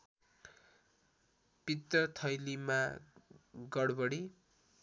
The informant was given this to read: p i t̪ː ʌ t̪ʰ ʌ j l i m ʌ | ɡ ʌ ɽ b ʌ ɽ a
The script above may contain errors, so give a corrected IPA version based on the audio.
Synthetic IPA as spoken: p i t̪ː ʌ t̪ʰ ʌ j l i m a | ɡ ʌ ɽ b ʌ ɽ i